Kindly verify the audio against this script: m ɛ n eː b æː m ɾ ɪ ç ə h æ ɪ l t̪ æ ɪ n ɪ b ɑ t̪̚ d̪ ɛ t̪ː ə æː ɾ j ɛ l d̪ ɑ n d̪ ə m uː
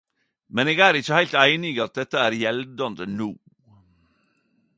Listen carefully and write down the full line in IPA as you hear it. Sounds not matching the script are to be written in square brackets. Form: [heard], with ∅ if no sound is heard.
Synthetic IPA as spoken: m ɛ n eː [ɡ] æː [∅] ɾ ɪ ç ə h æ ɪ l t̪ æ ɪ n ɪ [ɡ] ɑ t̪̚ d̪ ɛ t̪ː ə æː ɾ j ɛ l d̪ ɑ n d̪ ə [n] uː